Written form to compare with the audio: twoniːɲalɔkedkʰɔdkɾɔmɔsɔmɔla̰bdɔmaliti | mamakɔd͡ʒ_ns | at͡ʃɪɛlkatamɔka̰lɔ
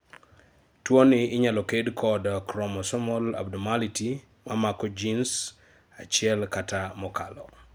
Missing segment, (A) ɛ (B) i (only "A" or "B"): B